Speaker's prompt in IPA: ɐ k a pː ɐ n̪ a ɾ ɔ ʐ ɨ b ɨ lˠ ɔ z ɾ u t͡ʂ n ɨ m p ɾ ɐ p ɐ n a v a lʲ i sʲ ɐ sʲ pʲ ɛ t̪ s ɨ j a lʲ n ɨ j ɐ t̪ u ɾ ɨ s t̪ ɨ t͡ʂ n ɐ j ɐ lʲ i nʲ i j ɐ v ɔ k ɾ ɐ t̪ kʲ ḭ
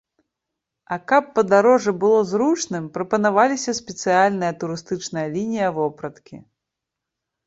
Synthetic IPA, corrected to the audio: ɐ k a pː ɐ d̪ a ɾ ɔ ʐ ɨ b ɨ lˠ ɔ z ɾ u t͡ʂ n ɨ m p ɾ ɐ p ɐ n a v a lʲ i sʲ ɐ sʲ pʲ ɛ t̪ s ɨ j a lʲ n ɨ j ɐ t̪ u ɾ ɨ s t̪ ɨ t͡ʂ n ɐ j ɐ lʲ i nʲ i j ɐ v ɔ p ɾ ɐ t̪ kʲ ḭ